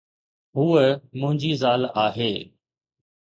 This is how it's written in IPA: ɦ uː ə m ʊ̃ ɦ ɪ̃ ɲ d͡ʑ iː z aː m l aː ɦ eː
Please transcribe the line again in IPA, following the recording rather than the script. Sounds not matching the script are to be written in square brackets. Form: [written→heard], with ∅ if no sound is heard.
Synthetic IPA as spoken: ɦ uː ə m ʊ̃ ɦ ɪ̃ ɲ d͡ʑ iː z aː [m→∅] l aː ɦ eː